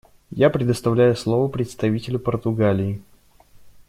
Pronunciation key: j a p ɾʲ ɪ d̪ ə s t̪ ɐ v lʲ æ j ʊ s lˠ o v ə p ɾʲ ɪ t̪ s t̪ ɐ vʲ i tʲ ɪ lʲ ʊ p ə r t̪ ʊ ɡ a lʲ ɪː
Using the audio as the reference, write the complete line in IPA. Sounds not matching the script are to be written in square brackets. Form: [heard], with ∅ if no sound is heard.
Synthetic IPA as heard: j a p ɾʲ ɪ d̪ ə s t̪ ɐ v lʲ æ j ʊ s lˠ o v ə p ɾʲ ɪ t̪ s t̪ ɐ vʲ i tʲ ɪ lʲ ʊ p ə r t̪ ʊ ɡ a lʲ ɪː